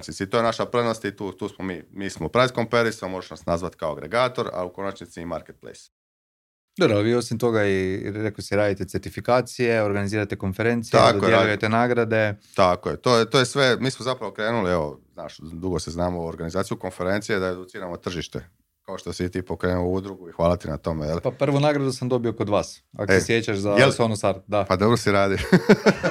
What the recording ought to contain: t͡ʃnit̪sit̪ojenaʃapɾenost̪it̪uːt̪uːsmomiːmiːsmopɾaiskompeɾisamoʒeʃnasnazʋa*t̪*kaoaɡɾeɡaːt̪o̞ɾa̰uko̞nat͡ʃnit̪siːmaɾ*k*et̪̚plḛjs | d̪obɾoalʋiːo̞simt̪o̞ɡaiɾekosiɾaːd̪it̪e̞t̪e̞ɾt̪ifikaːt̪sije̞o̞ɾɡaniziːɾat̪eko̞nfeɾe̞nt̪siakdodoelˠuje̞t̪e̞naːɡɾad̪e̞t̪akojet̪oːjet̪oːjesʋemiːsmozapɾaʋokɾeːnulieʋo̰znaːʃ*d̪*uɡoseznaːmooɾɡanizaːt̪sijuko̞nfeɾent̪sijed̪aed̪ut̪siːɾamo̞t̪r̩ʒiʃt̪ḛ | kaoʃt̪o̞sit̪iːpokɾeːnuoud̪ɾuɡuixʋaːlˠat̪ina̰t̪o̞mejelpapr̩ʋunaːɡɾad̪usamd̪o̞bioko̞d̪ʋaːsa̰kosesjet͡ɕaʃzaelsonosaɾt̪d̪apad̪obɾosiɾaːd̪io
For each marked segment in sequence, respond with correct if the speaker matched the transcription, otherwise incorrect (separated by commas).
correct, correct, correct